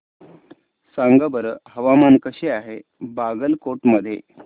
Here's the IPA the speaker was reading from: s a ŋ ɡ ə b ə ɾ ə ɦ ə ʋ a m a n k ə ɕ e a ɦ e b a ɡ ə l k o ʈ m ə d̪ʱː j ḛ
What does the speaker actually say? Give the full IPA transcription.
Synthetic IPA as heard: s a ŋ ɡ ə b ə ɾ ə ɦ ə ʋ a m a n k ə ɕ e a ɦ e b a ɡ ə l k o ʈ m ə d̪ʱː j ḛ